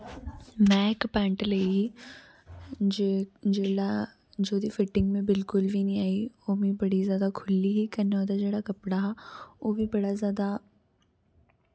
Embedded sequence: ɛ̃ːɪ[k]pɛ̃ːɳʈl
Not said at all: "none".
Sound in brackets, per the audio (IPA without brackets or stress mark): k